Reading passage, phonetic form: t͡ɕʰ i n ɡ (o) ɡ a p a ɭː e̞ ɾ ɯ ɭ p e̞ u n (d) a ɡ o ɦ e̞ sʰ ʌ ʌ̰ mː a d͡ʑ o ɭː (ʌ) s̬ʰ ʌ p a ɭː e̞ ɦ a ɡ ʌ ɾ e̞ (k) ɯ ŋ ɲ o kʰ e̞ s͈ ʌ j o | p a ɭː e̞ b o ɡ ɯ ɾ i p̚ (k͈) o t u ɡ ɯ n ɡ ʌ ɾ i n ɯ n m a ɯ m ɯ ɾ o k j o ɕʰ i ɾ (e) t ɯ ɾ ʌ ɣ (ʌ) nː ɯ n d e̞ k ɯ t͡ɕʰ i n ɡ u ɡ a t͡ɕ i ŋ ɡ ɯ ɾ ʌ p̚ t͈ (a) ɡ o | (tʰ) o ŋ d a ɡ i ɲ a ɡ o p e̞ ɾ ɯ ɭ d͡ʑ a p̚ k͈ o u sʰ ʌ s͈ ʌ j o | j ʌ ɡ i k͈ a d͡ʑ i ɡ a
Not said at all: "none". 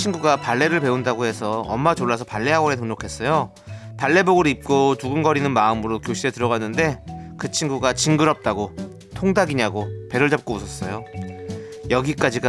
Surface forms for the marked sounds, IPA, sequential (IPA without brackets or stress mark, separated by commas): u, d, a, t, k͈, e, a, a, tʰ